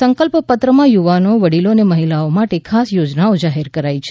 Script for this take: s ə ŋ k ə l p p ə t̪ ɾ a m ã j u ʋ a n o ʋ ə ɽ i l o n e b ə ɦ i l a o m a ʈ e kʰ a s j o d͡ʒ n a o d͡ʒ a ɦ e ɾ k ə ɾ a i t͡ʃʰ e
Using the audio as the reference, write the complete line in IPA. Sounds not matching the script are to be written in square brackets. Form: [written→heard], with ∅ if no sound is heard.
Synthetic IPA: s ə ŋ k ə l p p ə t̪ ɾ [a→ə] m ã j u ʋ a n o ʋ ə ɽ i l o n e [b→m] ə ɦ i l a o m a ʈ e kʰ a s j o d͡ʒ n a o d͡ʒ a ɦ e ɾ k ə ɾ a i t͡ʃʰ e